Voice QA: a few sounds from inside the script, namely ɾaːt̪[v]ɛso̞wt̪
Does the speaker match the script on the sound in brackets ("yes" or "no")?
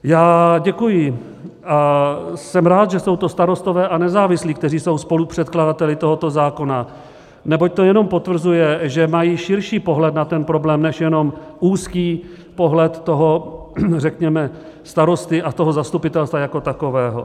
no